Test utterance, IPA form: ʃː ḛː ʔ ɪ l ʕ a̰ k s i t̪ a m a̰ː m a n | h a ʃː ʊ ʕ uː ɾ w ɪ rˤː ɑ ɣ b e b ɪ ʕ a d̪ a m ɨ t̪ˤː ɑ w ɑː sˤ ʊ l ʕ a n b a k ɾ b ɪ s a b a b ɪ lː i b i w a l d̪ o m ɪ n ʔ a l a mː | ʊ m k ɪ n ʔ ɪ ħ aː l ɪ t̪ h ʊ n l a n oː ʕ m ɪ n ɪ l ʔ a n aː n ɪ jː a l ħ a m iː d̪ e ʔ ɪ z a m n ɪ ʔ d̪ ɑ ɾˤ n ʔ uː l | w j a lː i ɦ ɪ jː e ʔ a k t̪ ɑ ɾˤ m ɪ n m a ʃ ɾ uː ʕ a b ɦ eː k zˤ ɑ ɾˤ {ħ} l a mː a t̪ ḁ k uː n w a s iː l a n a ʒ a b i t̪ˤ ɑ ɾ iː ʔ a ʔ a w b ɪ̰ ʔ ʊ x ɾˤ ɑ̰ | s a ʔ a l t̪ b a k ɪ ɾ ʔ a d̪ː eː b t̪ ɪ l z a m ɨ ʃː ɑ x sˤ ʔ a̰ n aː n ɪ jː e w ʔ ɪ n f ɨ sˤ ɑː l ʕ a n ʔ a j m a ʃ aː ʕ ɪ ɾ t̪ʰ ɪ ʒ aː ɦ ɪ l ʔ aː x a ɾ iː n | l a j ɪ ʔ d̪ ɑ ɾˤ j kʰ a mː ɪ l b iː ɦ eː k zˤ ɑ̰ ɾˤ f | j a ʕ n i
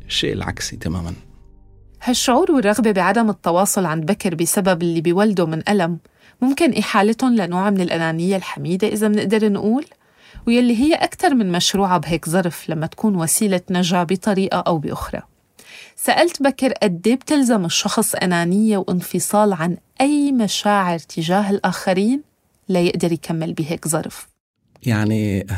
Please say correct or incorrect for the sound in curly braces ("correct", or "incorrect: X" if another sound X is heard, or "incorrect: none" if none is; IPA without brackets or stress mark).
incorrect: f